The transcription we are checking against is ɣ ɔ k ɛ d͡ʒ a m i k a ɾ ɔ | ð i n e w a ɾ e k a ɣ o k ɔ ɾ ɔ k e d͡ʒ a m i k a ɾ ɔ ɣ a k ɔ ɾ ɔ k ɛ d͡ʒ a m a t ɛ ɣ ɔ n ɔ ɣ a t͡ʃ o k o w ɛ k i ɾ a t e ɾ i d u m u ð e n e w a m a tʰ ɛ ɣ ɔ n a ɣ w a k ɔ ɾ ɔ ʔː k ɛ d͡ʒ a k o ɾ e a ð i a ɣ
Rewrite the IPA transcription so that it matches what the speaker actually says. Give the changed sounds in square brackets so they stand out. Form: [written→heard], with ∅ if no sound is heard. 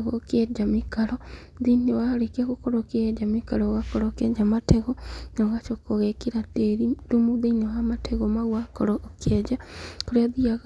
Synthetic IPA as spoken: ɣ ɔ k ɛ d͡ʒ a m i k a ɾ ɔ | ð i n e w a ɾ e k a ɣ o k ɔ ɾ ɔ k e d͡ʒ a m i k a ɾ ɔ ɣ a k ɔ ɾ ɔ k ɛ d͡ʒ a m a t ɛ ɣ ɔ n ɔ ɣ a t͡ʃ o k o [w→ɣ] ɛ k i ɾ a t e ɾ i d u m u ð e n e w a m a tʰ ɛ ɣ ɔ [n→m] a ɣ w a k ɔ ɾ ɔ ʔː k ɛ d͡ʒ a k o ɾ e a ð i a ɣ

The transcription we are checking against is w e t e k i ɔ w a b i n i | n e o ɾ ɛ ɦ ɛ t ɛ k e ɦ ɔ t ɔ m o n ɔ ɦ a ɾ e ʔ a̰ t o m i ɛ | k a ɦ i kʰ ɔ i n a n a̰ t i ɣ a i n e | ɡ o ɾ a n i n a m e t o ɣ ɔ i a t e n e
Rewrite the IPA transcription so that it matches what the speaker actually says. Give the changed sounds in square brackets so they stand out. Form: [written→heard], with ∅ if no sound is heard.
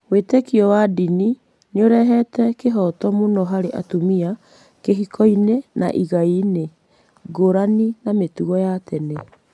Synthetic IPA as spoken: w e t e k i ɔ w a [b→d] i n i | n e o ɾ ɛ ɦ ɛ t ɛ k e ɦ ɔ t ɔ m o n ɔ ɦ a ɾ e ʔ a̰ t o m i [ɛ→a] | k [a→e] ɦ i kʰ ɔ i n [a→e] n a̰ [t→ʔ] i ɣ a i n e | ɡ o ɾ a n i n a m e t [o→u] ɣ ɔ [i→j] a t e n e

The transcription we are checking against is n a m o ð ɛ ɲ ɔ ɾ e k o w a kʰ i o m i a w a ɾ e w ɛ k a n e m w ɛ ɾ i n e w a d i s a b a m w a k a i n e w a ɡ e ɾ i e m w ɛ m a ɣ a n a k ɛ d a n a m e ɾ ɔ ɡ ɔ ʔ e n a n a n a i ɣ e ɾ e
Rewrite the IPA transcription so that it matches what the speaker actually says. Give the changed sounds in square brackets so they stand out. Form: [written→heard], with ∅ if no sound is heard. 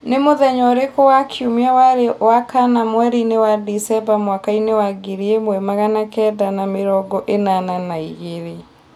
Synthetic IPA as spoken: n [a→e] m o ð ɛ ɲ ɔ ɾ e k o w a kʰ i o m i a w a ɾ e w [ɛ→a] k a n [e→a] m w ɛ ɾ i n e w a d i s [a→ɛ] b a m w a k a i n e w a ɡ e ɾ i e m w ɛ m a ɣ a n a k ɛ d a n a m e ɾ ɔ ɡ ɔ ʔ e n a n a n a i ɣ e ɾ e

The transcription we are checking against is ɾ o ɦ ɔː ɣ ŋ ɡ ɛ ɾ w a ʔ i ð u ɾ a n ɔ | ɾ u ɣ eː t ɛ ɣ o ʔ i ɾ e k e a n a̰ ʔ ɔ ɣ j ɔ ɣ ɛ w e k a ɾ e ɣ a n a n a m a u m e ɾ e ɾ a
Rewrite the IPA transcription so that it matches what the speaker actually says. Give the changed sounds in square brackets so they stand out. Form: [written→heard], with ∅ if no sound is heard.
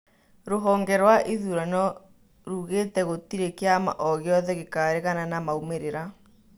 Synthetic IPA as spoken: ɾ o ɦ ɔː [ɣ→∅] ŋ ɡ ɛ ɾ w a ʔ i ð u ɾ a n ɔ | ɾ u ɣ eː t ɛ ɣ o [ʔ→t] i ɾ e k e a [n→m] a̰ ʔ ɔ ɣ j ɔ [ɣ→ð] ɛ [w→ɣ] e k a ɾ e ɣ a n a n a m a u m e ɾ e ɾ a

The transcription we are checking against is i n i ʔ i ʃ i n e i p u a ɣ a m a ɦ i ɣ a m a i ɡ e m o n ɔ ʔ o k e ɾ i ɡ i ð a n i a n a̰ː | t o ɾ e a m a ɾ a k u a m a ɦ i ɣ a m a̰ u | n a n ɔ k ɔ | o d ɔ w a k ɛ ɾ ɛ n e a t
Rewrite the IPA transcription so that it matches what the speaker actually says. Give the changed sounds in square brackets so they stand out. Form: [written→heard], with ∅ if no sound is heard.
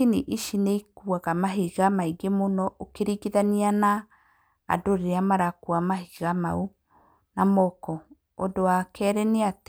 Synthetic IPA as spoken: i n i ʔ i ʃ i n e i [p→k] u a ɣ a m a ɦ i ɣ a m a i ɡ e m o n ɔ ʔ o k e ɾ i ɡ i ð a n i a n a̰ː | [t→d] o ɾ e a m a ɾ a k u a m a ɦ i ɣ a m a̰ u | n a [n→m] ɔ k ɔ | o d [ɔ→o] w a k ɛ ɾ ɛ n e a t

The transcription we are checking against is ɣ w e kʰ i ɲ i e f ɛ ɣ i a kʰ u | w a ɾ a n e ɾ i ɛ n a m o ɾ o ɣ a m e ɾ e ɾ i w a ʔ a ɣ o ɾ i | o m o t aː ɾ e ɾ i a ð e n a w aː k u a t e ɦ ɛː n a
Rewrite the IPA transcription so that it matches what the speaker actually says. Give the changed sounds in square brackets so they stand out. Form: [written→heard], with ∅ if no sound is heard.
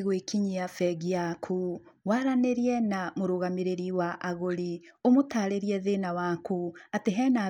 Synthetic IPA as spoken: ɣ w e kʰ i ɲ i [e→a] f ɛ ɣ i a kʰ u | w a ɾ a n e ɾ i ɛ n a m o ɾ o ɣ a m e ɾ e ɾ i w a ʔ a ɣ o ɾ i | o m o t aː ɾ e ɾ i [a→ɛ] ð e n a w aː k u a t e ɦ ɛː n a

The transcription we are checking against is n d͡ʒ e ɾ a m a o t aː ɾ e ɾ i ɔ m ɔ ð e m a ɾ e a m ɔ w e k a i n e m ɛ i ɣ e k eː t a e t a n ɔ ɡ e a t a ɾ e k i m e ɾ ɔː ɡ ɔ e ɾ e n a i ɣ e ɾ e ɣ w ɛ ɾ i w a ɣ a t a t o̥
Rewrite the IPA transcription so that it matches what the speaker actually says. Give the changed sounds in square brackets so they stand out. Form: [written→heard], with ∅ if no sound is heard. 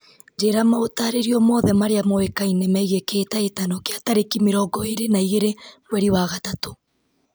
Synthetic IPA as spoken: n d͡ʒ e ɾ a m a o t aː ɾ e ɾ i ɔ m ɔ ð [e→ɛ] m a ɾ e a m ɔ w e k a i n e m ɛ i ɣ e k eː t a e t a n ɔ [ɡ→k] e a t a ɾ e k i m e ɾ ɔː ɡ ɔ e ɾ e n a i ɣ e ɾ e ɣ w ɛ ɾ i w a ɣ a t a t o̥

